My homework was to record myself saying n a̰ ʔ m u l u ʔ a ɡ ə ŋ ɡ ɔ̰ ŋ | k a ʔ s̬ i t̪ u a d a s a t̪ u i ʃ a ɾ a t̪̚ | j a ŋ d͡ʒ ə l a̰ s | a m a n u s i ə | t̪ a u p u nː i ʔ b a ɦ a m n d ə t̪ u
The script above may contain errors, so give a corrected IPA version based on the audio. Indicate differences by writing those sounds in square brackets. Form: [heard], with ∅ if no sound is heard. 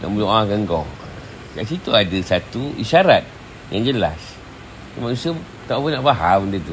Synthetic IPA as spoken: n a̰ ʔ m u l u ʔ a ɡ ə ŋ ɡ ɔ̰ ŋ | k a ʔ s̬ i t̪ u a d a s a t̪ u i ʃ a ɾ a t̪̚ | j a ŋ d͡ʒ ə l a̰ s | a m a n u s i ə | t̪ a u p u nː [a] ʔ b a ɦ a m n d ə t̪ u